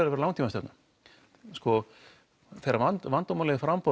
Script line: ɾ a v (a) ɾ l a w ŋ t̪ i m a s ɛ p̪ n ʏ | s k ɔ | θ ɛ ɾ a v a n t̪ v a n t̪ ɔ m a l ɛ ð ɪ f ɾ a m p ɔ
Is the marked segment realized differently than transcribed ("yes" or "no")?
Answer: yes